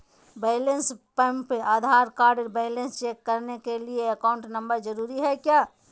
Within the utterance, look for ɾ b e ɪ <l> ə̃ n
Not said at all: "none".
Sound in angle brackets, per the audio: l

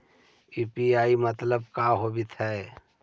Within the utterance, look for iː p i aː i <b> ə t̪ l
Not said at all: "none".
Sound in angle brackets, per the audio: m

